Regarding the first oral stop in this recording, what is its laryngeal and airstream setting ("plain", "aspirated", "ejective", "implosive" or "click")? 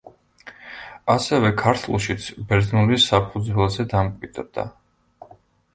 aspirated